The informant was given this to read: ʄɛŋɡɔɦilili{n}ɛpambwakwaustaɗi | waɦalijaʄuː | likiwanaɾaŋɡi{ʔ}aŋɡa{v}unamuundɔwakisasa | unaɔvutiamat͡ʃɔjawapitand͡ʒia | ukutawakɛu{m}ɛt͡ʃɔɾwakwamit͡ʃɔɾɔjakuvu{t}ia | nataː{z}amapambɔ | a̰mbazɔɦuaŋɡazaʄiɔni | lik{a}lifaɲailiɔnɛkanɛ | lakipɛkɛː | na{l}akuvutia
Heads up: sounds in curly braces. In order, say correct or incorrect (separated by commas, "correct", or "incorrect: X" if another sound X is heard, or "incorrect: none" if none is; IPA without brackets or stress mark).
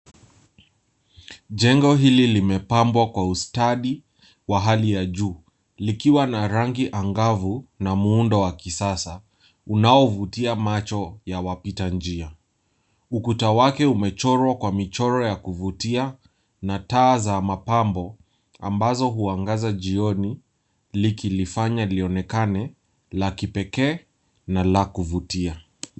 incorrect: m, correct, correct, correct, correct, correct, incorrect: i, correct